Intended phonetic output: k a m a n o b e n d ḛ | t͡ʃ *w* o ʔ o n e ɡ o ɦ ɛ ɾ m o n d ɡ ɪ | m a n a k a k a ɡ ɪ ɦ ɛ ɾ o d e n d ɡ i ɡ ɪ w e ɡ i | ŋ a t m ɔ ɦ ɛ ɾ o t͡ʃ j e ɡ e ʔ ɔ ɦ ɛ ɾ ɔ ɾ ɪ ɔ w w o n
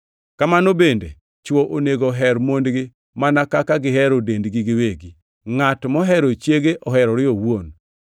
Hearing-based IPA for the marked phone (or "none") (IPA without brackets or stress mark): w